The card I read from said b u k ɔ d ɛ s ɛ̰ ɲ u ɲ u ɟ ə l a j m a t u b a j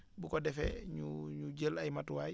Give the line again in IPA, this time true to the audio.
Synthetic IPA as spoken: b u k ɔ d ɛ f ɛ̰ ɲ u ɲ u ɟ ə l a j m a t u w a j